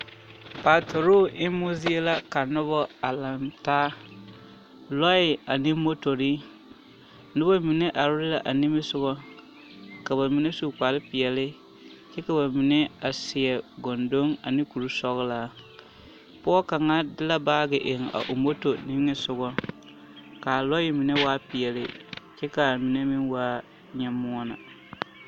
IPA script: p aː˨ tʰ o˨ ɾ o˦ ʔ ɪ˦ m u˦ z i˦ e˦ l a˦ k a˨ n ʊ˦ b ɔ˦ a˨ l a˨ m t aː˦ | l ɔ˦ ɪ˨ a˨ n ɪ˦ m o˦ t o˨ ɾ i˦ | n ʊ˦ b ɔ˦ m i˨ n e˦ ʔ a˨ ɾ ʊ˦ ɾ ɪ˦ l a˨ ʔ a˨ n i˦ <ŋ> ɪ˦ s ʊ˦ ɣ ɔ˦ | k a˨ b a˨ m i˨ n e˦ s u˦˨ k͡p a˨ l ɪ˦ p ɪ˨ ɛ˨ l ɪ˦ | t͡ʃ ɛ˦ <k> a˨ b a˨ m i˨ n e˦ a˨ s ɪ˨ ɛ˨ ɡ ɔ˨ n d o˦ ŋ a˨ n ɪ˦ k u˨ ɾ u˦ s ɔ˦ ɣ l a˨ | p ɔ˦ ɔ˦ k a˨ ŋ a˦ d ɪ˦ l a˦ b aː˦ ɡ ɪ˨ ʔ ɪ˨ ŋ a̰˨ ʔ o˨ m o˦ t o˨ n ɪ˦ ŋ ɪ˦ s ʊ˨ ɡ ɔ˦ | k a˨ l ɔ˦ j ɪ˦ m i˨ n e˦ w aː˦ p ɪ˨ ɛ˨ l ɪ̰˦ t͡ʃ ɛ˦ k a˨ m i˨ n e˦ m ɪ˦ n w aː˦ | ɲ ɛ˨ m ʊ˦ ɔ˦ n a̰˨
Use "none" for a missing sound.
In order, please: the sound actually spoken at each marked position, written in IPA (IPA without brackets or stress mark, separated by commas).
m, k